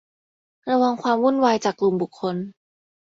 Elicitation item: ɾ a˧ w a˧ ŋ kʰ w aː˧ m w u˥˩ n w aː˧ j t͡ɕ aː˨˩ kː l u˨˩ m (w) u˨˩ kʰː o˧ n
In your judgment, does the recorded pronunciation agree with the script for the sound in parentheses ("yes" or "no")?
no